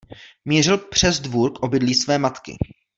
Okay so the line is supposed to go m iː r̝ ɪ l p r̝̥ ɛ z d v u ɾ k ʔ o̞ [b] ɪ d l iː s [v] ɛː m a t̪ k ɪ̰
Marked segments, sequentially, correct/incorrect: correct, correct

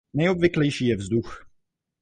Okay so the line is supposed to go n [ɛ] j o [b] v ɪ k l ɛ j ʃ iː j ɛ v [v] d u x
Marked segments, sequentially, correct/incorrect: correct, correct, incorrect

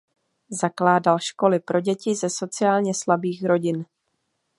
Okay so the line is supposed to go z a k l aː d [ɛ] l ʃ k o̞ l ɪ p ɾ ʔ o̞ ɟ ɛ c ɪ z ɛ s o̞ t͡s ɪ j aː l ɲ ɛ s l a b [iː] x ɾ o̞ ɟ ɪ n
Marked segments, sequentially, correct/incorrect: incorrect, correct

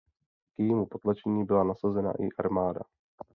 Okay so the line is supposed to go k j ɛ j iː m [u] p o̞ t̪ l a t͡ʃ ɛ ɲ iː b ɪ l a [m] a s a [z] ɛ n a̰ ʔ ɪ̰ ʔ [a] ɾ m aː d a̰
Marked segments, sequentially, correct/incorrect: correct, incorrect, correct, correct

